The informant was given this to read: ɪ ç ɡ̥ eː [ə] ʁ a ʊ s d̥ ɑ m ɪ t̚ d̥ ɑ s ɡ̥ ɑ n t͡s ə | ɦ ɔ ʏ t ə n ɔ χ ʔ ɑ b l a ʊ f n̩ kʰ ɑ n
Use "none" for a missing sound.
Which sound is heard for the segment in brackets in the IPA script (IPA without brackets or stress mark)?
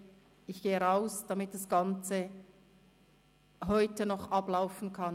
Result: ə